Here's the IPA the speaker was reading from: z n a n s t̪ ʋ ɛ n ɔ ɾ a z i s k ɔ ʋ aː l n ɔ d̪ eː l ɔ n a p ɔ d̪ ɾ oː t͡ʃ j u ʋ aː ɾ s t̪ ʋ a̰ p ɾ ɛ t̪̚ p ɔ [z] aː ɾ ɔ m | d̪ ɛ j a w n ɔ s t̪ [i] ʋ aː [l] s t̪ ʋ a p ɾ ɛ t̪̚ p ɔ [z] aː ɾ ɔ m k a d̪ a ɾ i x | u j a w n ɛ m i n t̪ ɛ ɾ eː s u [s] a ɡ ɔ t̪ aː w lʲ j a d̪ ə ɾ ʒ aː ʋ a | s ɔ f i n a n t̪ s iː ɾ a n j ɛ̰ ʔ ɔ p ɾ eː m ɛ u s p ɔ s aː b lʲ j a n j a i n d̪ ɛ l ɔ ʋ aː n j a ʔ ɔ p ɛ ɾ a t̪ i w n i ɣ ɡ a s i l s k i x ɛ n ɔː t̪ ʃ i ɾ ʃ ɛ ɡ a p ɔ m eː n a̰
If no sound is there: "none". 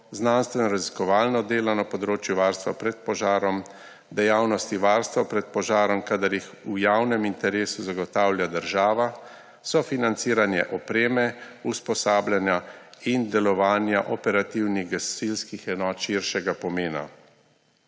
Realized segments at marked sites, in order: ʒ, i, ɾ, ʒ, z

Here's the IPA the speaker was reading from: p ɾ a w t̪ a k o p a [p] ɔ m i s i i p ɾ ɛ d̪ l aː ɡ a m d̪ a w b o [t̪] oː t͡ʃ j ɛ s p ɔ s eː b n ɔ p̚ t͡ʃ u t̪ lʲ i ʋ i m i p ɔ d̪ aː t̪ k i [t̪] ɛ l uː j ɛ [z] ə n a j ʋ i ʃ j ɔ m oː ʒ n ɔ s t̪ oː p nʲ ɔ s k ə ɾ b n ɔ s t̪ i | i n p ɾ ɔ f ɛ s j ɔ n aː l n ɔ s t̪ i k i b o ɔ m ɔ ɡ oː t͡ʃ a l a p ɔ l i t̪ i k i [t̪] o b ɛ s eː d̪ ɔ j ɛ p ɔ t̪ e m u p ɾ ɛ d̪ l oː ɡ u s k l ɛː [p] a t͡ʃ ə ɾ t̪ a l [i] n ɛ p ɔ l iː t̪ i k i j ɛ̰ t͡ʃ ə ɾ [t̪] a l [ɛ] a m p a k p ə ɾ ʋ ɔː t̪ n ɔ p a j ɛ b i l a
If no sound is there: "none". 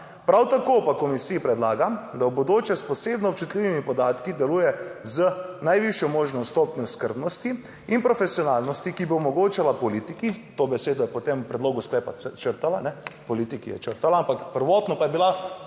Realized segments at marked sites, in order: k, d̪, d̪, z, t̪, p, a, t̪, a

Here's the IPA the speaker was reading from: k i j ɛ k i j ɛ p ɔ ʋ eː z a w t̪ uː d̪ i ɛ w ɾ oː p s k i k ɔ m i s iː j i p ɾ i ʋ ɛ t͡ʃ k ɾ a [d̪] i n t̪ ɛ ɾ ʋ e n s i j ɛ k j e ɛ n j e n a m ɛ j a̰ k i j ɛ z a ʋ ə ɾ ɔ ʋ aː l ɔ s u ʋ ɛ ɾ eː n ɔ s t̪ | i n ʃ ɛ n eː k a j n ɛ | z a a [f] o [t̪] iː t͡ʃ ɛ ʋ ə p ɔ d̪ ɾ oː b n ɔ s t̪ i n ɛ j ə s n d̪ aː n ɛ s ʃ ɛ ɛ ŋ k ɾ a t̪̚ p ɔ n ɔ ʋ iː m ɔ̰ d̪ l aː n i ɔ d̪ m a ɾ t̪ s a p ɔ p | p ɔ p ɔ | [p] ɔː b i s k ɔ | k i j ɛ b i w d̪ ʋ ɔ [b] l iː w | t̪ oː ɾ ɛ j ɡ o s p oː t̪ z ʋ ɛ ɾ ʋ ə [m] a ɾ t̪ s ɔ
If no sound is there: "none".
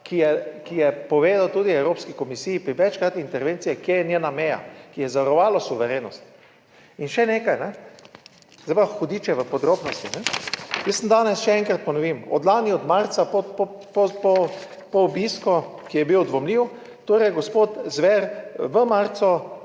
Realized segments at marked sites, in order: t̪, x, d̪, p, m, m

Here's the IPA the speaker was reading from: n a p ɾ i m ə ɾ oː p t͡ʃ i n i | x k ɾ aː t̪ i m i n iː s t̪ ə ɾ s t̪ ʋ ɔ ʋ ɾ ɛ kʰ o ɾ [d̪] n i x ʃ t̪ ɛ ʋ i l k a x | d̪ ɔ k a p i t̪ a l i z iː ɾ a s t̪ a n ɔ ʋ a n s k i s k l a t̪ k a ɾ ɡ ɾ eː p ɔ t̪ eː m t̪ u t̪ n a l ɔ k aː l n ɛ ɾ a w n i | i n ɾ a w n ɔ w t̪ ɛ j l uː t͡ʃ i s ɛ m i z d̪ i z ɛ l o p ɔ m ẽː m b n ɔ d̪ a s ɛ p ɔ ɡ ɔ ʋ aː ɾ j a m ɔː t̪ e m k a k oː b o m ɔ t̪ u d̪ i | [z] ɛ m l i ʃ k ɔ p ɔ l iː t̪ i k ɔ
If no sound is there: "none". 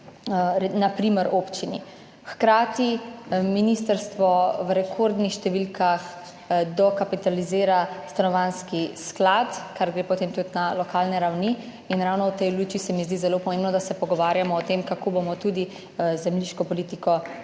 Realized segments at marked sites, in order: d̪, z

